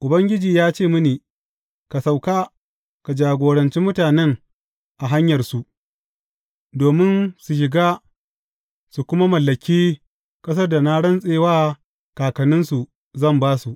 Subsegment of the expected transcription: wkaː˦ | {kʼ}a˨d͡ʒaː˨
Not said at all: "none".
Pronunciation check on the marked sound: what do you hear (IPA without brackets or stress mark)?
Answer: k